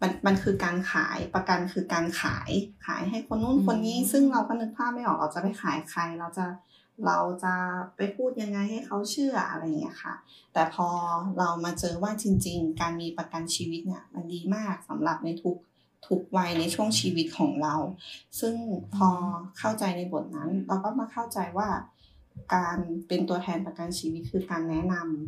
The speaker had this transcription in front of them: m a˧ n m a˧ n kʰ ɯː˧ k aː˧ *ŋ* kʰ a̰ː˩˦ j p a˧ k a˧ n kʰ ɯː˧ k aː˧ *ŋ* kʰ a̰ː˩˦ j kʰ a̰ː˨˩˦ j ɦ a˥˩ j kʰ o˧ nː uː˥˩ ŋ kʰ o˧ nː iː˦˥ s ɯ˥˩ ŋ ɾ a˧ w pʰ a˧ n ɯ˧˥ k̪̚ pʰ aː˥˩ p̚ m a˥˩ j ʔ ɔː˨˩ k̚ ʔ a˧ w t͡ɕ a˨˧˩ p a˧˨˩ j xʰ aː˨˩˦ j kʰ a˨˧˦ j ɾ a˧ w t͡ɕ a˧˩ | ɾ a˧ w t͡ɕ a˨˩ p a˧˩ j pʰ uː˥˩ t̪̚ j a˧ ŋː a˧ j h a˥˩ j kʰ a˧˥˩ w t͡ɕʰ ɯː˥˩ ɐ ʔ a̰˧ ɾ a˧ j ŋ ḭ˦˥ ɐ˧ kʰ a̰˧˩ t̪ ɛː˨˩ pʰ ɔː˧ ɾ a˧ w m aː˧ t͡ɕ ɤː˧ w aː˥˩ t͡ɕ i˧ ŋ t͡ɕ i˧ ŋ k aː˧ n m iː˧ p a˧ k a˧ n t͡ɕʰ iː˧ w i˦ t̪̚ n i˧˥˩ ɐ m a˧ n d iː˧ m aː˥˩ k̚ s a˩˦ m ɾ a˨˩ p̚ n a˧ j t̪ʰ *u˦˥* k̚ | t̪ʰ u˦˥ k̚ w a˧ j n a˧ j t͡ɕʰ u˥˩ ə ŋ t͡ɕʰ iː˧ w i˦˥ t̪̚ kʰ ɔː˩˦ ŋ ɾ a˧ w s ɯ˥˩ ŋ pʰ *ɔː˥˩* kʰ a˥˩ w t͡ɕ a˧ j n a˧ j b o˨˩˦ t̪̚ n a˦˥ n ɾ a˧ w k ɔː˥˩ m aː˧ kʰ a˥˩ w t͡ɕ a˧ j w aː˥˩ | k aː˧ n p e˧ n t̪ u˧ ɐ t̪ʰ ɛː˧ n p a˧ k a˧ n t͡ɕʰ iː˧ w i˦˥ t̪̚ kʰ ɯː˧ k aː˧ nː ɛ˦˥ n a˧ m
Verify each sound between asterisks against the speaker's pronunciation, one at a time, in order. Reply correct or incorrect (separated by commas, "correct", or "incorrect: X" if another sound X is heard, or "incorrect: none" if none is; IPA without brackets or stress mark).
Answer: incorrect: n, incorrect: n, correct, incorrect: ɔː˧